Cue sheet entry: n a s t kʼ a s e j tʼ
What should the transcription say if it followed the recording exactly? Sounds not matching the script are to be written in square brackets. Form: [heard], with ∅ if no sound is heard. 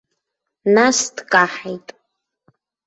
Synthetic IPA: n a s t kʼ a [ħ] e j tʼ